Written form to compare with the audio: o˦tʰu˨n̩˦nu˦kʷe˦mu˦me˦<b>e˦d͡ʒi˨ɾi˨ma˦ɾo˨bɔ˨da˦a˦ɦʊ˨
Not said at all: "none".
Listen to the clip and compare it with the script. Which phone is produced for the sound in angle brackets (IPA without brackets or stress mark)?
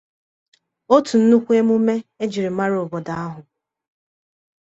none